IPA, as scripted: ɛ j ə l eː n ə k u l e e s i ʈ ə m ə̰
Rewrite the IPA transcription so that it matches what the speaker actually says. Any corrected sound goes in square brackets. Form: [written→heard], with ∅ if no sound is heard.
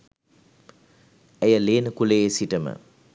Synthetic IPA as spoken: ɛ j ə l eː n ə k u l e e s i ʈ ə m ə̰